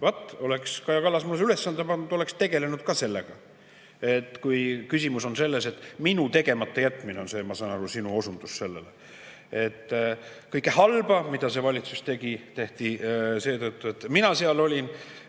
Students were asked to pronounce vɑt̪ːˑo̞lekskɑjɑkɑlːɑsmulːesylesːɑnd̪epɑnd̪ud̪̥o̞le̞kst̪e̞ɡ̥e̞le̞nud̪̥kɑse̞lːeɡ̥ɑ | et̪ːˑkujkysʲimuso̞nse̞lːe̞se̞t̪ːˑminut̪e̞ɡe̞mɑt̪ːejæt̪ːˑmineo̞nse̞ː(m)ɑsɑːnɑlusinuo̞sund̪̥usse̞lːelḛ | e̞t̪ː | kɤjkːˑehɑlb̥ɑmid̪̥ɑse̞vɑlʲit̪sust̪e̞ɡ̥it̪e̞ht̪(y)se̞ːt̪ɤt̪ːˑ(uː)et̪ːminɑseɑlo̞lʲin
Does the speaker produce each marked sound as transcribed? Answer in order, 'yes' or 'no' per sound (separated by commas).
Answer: yes, no, no